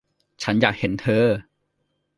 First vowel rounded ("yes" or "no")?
no